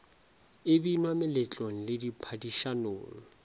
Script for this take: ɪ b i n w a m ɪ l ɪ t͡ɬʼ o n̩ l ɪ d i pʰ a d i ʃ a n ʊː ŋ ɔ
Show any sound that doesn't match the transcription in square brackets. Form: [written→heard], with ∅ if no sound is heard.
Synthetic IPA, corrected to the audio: ɪ b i n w a m ɪ l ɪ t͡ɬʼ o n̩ l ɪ d i pʰ a d i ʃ a n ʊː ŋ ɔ